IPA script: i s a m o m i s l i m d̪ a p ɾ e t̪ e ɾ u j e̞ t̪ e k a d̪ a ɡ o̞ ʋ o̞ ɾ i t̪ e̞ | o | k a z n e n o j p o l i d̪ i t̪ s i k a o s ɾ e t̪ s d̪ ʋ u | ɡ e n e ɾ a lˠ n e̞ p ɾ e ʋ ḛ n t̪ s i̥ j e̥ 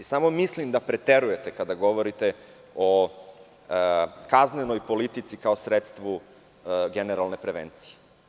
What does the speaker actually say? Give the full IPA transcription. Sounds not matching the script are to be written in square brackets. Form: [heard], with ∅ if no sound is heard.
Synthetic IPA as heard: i s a m o m i s l i m d̪ a p ɾ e t̪ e ɾ u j e̞ t̪ e k a d̪ a ɡ o̞ ʋ o̞ ɾ i t̪ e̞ | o | k a z n e n o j p o l i [t̪] i t̪ s i k a o s ɾ e t̪ s [t̪] ʋ u | ɡ e n e ɾ a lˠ n e̞ p ɾ e ʋ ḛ n t̪ s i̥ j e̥